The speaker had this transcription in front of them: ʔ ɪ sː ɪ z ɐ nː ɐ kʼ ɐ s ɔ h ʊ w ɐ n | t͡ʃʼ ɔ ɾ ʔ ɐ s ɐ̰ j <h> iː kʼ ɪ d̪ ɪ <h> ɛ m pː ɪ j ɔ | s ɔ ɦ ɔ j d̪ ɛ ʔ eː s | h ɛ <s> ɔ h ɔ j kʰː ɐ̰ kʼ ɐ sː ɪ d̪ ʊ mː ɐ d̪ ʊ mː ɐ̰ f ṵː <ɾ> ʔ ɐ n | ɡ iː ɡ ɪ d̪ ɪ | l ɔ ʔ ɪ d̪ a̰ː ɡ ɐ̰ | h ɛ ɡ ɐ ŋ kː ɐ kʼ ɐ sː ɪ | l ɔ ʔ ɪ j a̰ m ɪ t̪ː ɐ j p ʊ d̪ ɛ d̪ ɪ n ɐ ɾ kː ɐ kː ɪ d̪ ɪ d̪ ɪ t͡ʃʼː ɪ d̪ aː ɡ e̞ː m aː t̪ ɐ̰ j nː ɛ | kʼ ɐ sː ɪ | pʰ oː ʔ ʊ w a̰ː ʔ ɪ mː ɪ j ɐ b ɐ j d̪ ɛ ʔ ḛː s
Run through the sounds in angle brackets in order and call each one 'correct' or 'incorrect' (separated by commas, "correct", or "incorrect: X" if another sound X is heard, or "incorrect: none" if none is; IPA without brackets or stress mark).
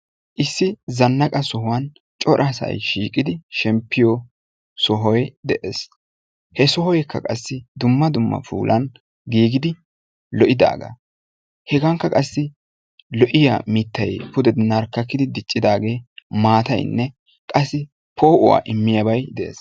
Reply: incorrect: ʃ, incorrect: ʃ, correct, incorrect: l